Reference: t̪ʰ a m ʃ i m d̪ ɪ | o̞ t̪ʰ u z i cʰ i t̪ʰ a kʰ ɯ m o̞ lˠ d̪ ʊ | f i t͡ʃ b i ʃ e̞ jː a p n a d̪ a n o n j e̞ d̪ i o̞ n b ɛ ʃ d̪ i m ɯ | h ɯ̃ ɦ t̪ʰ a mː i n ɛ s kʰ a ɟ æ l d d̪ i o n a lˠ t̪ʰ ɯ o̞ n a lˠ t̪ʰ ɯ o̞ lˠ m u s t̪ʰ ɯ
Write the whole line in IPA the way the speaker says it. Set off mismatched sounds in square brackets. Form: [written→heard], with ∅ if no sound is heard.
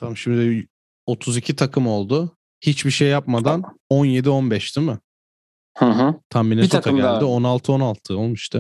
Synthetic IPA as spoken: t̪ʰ a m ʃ i m d̪ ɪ | o̞ t̪ʰ u z i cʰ i t̪ʰ a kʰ ɯ m o̞ lˠ d̪ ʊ | [f→h] i t͡ʃ b i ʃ e̞ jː a p [n→m] a d̪ a n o n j e̞ d̪ i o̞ n b ɛ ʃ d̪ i m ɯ | h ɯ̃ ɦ t̪ʰ a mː i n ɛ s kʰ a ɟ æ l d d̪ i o n a lˠ t̪ʰ ɯ o̞ n a lˠ t̪ʰ ɯ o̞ lˠ m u [s→ʃ] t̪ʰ ɯ